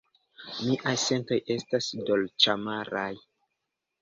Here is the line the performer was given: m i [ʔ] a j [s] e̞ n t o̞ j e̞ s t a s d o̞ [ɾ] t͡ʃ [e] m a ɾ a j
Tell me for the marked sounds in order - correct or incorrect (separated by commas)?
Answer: correct, correct, incorrect, incorrect